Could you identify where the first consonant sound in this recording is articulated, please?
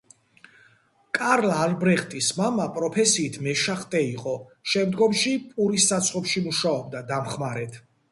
velar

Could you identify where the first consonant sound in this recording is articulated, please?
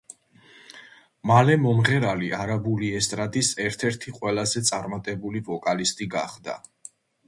labial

